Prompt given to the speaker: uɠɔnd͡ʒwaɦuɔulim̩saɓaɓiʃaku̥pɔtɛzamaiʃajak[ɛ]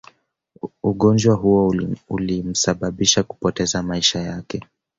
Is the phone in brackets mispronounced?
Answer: no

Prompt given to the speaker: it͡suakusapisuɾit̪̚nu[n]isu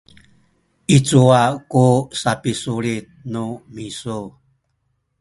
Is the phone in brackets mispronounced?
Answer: yes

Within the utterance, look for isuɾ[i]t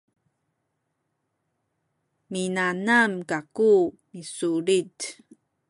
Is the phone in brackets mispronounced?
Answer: no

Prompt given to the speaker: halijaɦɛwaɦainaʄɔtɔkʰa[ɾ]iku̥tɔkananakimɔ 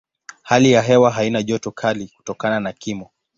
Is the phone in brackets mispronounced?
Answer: yes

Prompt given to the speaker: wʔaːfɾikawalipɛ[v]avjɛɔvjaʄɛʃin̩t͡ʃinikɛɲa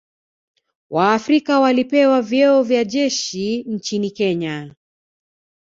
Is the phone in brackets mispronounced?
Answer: yes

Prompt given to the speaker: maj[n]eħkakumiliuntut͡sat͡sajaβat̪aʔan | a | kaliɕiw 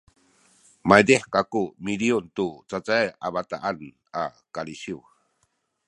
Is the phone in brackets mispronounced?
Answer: yes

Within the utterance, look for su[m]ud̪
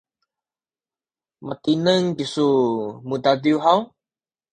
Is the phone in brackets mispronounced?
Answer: no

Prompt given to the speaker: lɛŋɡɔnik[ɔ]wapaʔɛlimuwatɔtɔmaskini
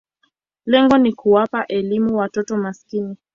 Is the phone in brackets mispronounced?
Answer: yes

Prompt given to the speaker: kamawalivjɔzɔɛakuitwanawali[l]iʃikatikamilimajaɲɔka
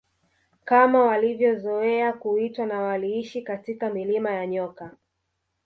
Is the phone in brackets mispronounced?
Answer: yes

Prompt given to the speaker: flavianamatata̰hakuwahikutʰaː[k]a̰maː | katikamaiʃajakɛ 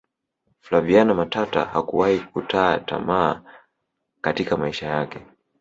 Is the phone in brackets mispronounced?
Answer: yes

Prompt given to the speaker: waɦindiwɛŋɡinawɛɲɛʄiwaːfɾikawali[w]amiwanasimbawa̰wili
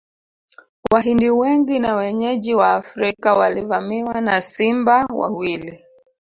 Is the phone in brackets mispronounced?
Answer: yes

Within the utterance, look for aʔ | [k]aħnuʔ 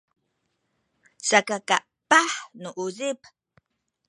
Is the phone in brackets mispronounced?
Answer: yes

